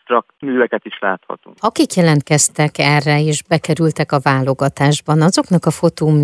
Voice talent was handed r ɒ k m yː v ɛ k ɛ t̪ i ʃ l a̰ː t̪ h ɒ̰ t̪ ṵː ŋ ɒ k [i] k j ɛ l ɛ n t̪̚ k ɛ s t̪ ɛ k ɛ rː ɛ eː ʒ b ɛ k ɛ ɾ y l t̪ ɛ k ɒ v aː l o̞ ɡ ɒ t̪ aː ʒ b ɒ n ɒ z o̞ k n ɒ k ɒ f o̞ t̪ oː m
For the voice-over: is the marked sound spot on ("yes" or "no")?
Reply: yes